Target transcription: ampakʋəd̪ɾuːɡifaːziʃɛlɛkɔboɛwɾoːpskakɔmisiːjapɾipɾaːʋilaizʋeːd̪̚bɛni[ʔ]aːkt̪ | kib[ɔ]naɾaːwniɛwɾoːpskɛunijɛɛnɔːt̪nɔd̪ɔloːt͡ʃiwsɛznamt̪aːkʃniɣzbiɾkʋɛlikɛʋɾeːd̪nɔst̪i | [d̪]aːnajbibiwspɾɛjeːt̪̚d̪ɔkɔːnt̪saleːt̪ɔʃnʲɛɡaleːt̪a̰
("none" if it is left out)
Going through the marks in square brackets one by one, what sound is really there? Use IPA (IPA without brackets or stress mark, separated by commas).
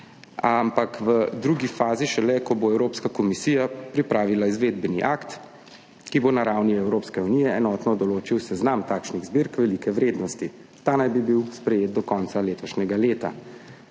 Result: ʔ, o, t̪